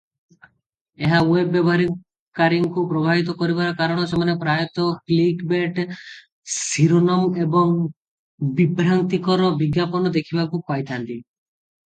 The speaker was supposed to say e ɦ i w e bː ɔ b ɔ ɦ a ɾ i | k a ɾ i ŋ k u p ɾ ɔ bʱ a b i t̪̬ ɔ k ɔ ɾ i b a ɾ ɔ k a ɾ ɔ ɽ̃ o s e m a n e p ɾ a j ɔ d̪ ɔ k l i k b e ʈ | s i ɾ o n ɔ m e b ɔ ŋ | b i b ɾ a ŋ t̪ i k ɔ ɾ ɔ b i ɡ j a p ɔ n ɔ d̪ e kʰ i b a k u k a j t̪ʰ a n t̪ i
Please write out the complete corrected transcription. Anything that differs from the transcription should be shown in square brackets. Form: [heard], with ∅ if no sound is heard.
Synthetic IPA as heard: e ɦ [a] w e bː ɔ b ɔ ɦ a ɾ i | k a ɾ i ŋ k u p ɾ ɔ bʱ a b i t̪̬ ɔ k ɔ ɾ i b a ɾ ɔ k a ɾ ɔ ɽ̃ [ɔ] s e m a n e p ɾ a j ɔ [t̪] ɔ k l i k b e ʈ | s i ɾ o n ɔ m e b ɔ ŋ | b i b ɾ a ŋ t̪ i k ɔ ɾ ɔ b i ɡ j a p ɔ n ɔ d̪ e kʰ i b a k u k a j t̪ʰ a n t̪ i

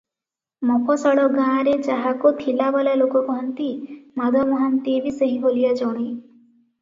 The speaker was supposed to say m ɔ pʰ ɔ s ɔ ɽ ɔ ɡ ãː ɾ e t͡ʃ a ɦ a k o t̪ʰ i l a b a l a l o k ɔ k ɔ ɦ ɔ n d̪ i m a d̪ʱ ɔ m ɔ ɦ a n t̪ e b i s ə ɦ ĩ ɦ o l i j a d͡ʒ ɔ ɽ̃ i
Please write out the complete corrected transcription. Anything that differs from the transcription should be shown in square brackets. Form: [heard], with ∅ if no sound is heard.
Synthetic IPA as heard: m ɔ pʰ ɔ s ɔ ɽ ɔ ɡ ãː ɾ e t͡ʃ a ɦ a k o t̪ʰ i l a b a l a l o k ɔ k ɔ ɦ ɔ n [t̪] i m a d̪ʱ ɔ m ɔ ɦ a n t̪ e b i s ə ɦ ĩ ɦ o l i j a d͡ʒ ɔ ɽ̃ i

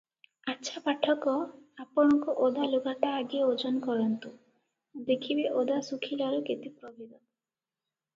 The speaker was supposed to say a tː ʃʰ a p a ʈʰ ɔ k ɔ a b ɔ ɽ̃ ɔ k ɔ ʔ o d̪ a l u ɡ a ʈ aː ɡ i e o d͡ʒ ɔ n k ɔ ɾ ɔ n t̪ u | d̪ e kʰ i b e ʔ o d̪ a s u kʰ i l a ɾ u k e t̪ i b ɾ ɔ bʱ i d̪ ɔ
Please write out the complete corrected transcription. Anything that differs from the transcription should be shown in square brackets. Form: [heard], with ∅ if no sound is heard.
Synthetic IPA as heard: a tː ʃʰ a p a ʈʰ ɔ k ɔ a [p] ɔ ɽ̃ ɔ k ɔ ʔ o d̪ a l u ɡ a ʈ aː ɡ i e o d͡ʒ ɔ n k ɔ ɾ ɔ n t̪ u | d̪ e kʰ i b e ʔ o d̪ a s u kʰ i l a ɾ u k e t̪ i [p] ɾ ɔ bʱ i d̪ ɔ

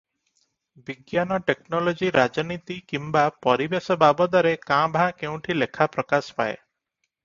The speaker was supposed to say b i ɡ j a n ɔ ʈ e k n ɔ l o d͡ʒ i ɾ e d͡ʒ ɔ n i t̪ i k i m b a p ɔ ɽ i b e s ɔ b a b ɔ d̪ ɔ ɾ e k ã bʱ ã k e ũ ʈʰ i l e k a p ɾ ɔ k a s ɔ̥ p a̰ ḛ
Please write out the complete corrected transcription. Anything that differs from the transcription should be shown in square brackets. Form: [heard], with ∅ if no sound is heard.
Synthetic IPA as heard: b i ɡ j a n ɔ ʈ e k n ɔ l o d͡ʒ i ɾ [a] d͡ʒ ɔ n i t̪ i k i m b a p ɔ [ɾ] i b e s ɔ b a b ɔ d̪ ɔ ɾ e k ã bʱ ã k e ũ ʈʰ i l e [kʰ] a p ɾ ɔ k a s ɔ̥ p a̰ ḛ

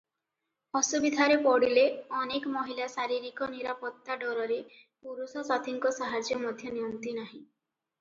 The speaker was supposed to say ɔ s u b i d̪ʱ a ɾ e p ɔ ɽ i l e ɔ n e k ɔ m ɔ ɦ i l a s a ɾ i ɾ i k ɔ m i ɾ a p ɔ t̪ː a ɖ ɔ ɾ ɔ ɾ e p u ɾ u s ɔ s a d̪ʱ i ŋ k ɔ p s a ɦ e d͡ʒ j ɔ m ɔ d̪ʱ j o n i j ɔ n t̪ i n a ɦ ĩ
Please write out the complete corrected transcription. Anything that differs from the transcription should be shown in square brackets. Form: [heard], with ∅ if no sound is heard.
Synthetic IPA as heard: ɔ s u b i d̪ʱ a ɾ e p ɔ ɽ i l e ɔ n e k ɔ m ɔ ɦ i l a s a ɾ i ɾ i k ɔ [n] i ɾ a p ɔ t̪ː a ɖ ɔ ɾ ɔ ɾ e p u ɾ u s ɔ s a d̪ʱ i ŋ k ɔ [∅] s a ɦ [a] d͡ʒ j ɔ m ɔ d̪ʱ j [ɔ] n i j ɔ n t̪ i n a ɦ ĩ

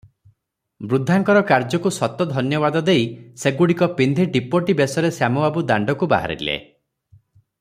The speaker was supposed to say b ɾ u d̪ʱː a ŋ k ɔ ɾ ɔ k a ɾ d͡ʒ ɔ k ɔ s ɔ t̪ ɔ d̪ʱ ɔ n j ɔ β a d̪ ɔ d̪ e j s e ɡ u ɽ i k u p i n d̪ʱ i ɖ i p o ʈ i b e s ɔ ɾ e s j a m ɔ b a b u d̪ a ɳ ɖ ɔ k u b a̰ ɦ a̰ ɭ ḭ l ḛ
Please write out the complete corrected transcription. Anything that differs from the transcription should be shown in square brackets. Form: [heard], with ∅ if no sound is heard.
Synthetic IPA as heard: b ɾ u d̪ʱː a ŋ k ɔ ɾ ɔ k a ɾ d͡ʒ ɔ k [u] s ɔ t̪ ɔ d̪ʱ ɔ n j ɔ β a d̪ ɔ d̪ e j s e ɡ u ɽ i k [ɔ] p i n d̪ʱ i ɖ i p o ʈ i b e s ɔ ɾ e s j a m ɔ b a b u d̪ a ɳ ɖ ɔ k u b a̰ ɦ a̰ [ɾ] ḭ l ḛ

